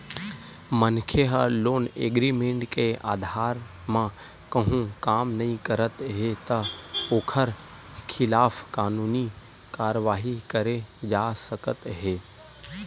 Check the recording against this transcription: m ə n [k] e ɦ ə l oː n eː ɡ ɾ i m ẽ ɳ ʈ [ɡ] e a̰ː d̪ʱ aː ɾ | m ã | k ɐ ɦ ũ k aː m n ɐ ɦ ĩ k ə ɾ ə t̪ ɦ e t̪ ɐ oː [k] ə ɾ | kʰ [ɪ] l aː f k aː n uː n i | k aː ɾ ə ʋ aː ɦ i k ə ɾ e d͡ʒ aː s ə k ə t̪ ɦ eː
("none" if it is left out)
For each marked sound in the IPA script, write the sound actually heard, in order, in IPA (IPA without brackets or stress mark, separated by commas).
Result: kʰ, k, kʰ, ɪ